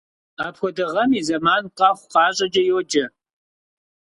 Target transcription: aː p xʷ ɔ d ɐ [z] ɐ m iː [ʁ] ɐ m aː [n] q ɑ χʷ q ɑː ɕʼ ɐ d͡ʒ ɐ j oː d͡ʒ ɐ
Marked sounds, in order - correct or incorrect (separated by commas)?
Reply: incorrect, incorrect, correct